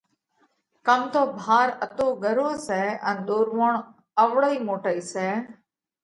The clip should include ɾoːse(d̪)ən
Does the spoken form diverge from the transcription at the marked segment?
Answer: yes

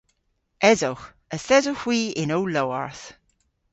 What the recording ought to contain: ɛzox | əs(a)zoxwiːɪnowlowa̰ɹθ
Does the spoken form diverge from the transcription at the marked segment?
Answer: yes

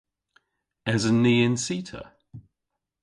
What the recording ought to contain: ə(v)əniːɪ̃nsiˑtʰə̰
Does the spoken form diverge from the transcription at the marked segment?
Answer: yes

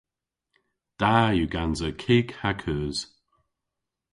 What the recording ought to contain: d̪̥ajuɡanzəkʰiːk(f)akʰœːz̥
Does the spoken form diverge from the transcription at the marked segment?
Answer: yes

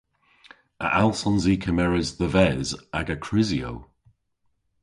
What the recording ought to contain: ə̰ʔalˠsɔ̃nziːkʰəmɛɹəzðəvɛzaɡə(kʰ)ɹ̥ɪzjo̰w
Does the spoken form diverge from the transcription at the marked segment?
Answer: no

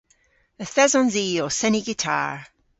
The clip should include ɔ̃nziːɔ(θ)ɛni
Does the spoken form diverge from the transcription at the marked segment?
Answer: yes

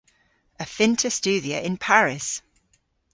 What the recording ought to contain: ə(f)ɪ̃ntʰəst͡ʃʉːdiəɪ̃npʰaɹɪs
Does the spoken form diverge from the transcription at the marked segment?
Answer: no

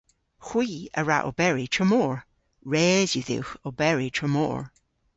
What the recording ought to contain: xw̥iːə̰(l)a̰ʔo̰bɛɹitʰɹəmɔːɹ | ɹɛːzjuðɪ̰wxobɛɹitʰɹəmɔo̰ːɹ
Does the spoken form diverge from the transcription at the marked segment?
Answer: yes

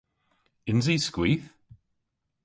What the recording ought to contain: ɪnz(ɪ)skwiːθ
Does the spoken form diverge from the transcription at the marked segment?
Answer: yes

